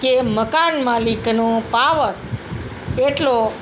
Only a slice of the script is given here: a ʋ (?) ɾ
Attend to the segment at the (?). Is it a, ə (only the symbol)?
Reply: ə